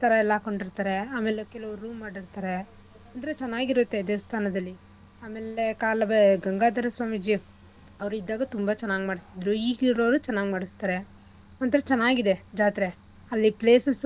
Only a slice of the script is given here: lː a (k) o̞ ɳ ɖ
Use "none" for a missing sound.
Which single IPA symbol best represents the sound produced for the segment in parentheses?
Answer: k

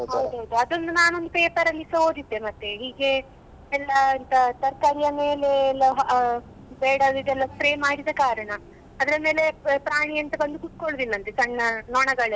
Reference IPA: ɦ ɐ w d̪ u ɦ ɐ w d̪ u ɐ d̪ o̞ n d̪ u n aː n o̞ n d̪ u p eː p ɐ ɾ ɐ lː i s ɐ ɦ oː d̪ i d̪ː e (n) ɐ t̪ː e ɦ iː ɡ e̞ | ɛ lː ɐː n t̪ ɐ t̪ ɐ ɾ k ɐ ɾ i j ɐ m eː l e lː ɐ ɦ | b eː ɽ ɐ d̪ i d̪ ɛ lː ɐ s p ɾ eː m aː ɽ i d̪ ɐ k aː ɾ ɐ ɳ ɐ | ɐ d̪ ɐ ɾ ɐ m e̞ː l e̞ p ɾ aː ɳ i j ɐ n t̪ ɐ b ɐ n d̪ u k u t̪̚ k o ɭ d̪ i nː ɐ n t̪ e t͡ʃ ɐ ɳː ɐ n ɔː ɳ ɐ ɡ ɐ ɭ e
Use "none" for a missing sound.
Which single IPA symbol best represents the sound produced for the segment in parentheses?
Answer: m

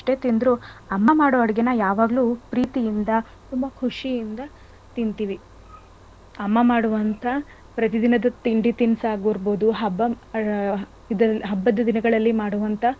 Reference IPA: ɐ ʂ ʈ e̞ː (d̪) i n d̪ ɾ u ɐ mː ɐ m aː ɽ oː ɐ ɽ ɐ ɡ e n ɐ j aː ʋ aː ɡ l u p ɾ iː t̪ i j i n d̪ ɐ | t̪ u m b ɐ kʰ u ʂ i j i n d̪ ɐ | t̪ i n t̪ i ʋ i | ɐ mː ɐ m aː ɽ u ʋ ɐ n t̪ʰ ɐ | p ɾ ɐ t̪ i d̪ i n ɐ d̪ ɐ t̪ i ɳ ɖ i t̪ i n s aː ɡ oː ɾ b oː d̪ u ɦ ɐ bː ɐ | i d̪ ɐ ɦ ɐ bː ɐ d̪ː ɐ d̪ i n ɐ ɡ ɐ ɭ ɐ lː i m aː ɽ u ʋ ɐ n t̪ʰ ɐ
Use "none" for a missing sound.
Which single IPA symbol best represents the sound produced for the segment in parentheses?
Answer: t̪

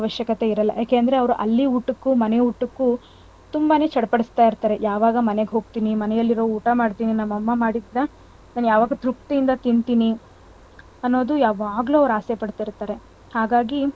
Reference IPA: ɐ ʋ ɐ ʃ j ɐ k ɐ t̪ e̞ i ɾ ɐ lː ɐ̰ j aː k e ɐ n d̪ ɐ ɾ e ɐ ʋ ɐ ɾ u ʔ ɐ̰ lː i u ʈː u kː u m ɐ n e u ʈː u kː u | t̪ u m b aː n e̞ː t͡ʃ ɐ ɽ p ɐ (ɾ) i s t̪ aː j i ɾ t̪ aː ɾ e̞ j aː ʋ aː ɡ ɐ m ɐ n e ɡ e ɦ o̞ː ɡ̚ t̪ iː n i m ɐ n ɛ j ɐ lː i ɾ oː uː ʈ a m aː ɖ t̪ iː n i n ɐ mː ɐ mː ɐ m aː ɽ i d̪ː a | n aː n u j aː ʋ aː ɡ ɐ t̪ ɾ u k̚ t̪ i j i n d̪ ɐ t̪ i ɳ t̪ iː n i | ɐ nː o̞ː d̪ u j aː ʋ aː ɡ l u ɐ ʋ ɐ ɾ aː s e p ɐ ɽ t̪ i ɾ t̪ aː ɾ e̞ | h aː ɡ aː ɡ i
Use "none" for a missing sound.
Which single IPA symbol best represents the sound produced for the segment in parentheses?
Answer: ɽ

